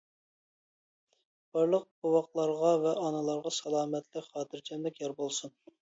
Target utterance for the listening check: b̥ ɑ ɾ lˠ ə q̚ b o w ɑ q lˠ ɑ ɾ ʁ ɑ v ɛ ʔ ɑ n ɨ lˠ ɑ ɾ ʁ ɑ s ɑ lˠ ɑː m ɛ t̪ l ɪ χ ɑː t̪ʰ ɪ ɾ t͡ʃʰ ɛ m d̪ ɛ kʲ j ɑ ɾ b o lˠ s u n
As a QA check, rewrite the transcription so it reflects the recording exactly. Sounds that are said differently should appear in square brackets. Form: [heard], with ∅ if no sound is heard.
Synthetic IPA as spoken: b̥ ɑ ɾ lˠ ə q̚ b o w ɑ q lˠ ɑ ɾ ʁ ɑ v ɛ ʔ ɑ n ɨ lˠ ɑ ɾ ʁ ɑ s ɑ lˠ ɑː m ɛ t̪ l ɪ χ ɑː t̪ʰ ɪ ɾ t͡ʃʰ ɛ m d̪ ɛ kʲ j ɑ ɾ b o lˠ s u n